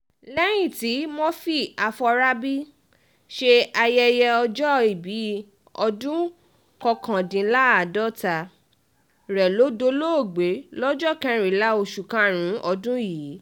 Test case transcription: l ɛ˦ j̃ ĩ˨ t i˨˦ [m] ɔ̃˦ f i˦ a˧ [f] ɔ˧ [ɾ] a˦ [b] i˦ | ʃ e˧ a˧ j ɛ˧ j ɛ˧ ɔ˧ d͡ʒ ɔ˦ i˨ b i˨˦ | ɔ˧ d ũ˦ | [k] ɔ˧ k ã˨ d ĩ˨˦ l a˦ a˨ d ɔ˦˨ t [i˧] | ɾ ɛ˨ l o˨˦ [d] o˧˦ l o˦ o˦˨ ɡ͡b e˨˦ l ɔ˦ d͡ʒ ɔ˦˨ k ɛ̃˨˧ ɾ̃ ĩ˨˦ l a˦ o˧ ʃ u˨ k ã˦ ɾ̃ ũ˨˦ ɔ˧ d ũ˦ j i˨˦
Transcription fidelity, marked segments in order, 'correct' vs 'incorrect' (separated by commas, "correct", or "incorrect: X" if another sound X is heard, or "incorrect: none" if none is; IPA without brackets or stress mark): correct, correct, correct, correct, correct, incorrect: a˧, correct